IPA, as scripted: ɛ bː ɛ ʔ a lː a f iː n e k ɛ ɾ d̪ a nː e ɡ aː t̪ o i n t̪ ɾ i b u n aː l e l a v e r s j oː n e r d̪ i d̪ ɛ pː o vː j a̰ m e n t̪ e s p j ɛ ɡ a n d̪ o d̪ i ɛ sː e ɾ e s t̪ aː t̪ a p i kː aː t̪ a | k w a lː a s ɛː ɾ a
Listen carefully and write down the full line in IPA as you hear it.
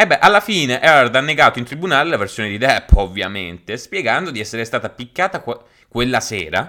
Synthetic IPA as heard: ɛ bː ɛ ʔ a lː a f iː n e ʔ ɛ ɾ d̪ a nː e ɡ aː t̪ o i n t̪ ɾ i b u n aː l e l a v e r s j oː n e d̪ i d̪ ɛ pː o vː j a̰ m e n t̪ e s p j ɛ ɡ a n d̪ o d̪ i ɛ sː e ɾ e s t̪ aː t̪ a p i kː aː t̪ a | k w e lː a s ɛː ɾ a